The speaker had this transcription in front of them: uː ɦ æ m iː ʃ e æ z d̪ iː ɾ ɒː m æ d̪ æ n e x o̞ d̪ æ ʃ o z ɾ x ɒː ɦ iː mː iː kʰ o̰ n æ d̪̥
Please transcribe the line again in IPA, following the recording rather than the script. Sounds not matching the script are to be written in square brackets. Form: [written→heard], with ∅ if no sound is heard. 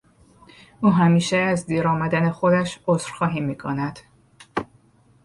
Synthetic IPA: uː ɦ æ m iː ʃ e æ z d̪ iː ɾ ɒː m æ d̪ æ n e x o̞ d̪ æ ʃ o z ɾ x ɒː ɦ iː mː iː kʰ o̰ n æ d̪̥